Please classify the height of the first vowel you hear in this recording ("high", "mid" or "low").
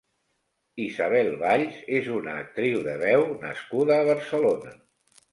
high